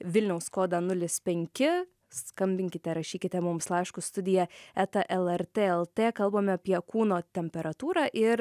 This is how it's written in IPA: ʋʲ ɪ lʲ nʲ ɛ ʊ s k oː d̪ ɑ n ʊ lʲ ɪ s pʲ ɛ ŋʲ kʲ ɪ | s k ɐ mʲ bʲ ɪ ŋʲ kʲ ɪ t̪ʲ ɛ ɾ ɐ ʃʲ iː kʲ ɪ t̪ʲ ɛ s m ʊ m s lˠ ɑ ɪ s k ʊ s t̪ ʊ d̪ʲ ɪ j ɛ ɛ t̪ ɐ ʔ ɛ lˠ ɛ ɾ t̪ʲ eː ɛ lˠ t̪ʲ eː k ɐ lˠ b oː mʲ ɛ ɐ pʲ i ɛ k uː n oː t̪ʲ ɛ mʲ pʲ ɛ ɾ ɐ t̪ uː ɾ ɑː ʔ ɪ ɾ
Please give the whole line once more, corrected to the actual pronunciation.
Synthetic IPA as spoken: ʋʲ ɪ lʲ nʲ ɛ ʊ s k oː d̪ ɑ n ʊ lʲ ɪ s pʲ ɛ ŋʲ kʲ ɪ | s k ɐ mʲ bʲ ɪ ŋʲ kʲ ɪ t̪ʲ ɛ ɾ ɐ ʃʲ iː kʲ ɪ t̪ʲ ɛ m ʊ m s lˠ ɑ ɪ ʃ k ʊ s t̪ ʊ d̪ʲ ɪ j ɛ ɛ t̪ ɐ ʔ ɛ lˠ ɛ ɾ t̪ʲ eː ɛ lˠ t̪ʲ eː k ɐ lˠ b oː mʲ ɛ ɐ pʲ i ɛ k uː n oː t̪ʲ ɛ mʲ pʲ ɛ ɾ ɐ t̪ uː ɾ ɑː ʔ ɪ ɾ